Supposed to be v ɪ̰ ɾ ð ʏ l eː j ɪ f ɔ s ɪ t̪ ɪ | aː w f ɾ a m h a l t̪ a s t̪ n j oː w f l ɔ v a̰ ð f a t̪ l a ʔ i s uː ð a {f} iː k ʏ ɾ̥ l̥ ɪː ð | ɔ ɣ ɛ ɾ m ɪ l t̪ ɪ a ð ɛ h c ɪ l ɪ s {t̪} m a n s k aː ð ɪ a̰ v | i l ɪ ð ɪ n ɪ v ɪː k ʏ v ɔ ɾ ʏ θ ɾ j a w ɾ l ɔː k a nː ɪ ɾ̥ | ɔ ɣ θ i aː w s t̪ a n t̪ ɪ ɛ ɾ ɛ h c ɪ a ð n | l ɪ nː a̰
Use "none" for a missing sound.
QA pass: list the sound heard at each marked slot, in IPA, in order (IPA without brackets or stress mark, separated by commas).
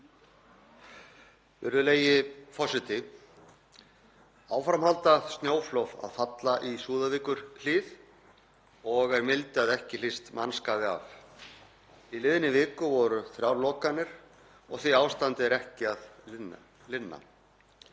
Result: v, t̪